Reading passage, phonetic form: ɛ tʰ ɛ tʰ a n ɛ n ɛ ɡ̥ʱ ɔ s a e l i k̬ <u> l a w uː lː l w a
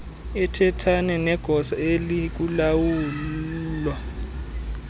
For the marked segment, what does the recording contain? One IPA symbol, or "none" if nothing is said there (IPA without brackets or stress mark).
u